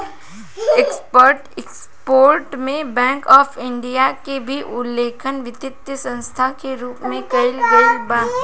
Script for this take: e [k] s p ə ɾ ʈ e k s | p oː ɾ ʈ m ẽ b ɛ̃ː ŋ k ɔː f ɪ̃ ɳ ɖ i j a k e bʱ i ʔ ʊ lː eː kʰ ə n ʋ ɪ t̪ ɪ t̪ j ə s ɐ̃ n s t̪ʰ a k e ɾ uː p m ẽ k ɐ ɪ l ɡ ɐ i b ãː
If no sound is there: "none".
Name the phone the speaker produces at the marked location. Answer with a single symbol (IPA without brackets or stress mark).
k